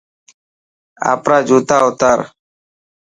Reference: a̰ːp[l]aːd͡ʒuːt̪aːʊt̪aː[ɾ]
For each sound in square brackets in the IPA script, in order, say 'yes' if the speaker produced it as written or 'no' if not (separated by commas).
no, yes